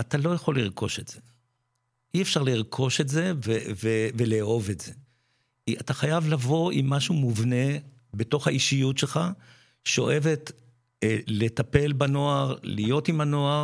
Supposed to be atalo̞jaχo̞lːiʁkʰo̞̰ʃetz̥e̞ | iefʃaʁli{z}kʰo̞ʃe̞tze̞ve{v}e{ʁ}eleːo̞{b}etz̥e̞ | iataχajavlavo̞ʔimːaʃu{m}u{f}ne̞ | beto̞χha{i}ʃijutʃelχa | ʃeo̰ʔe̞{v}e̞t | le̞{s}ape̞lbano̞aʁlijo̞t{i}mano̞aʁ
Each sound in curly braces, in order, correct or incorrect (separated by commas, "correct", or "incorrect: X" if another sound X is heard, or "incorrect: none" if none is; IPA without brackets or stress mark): incorrect: ʁ, correct, incorrect: v, incorrect: v, correct, incorrect: v, correct, correct, incorrect: t, correct